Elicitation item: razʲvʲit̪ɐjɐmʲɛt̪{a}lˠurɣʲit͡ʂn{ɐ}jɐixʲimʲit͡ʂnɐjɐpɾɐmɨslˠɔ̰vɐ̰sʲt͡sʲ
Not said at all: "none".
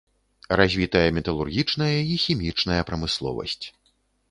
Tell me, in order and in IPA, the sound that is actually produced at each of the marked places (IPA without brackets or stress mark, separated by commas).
ɐ, ɐ